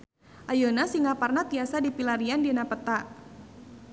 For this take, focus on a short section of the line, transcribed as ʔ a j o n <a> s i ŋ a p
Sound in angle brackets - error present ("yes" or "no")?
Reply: no